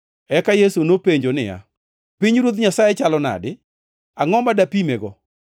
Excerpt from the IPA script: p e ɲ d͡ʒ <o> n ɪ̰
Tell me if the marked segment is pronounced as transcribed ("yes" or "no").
yes